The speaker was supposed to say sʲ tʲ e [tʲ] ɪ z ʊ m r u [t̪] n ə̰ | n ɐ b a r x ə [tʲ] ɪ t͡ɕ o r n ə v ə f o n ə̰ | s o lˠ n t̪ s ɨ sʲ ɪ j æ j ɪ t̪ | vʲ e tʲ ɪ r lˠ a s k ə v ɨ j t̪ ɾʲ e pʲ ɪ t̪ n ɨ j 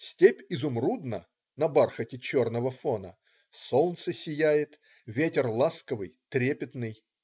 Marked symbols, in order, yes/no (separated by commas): no, no, yes